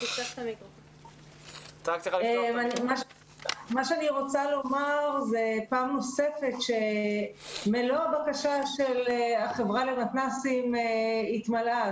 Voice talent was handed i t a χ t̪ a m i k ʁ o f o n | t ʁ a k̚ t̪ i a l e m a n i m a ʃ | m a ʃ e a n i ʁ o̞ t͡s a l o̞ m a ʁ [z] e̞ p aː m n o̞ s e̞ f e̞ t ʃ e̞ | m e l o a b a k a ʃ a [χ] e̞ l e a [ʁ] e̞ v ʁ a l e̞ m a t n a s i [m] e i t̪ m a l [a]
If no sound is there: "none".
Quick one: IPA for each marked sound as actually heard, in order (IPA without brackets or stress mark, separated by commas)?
z, ʃ, χ, m, a